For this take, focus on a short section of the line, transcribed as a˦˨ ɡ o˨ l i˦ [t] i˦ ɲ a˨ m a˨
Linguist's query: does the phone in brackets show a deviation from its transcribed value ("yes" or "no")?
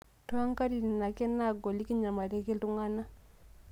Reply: yes